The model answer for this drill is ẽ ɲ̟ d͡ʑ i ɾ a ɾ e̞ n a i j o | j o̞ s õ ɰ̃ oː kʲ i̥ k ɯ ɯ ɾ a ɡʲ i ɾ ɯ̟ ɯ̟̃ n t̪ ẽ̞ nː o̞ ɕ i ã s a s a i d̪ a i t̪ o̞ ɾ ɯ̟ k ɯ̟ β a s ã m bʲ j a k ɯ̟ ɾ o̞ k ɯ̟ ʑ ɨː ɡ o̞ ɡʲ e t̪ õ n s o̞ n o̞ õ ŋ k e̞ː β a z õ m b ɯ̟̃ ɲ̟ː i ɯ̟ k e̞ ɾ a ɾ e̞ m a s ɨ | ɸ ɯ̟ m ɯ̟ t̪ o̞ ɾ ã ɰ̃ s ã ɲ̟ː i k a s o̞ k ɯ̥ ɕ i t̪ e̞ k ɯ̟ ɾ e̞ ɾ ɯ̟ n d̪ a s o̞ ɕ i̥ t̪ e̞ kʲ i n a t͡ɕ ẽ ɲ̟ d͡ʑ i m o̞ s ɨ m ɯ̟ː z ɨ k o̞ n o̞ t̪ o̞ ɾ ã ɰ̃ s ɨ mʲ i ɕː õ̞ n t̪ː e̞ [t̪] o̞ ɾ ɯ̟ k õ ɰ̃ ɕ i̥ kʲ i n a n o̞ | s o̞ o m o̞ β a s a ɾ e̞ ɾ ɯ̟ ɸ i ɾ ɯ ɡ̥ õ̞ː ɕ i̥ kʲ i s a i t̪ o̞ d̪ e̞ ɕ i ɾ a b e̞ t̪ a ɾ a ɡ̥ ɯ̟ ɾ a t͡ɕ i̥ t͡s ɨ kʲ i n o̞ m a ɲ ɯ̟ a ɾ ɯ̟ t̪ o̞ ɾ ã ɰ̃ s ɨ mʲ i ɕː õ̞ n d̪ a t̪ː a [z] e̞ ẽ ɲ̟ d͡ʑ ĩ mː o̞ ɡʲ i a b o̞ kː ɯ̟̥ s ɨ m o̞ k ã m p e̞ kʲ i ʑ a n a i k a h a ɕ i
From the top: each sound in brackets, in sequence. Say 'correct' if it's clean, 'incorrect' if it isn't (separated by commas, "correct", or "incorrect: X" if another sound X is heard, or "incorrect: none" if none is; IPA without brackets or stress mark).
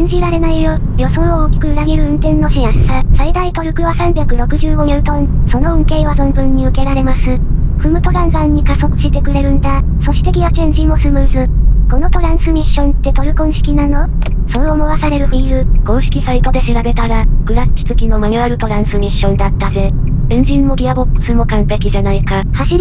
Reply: correct, correct